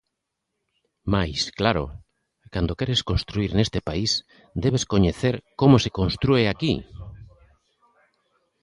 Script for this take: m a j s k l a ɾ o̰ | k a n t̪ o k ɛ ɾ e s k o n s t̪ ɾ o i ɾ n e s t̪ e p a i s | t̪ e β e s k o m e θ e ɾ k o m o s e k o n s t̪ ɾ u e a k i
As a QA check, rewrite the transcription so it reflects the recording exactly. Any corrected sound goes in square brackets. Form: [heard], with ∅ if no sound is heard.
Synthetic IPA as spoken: m a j s k l a ɾ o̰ | k a n [d̪] o k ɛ ɾ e s k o n s t̪ ɾ [u] i ɾ n e s t̪ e p a i s | [d̪] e β e s k o [ɲ] e θ e ɾ k o m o s e k o n s t̪ ɾ u e a k i